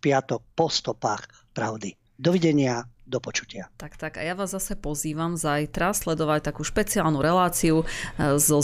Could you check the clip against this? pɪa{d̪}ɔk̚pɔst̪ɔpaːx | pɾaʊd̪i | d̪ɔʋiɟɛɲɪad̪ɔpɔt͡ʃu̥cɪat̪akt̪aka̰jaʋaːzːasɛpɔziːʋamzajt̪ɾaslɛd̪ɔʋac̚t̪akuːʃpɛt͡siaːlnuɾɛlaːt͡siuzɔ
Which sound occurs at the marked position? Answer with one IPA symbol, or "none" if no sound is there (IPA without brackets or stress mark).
t̪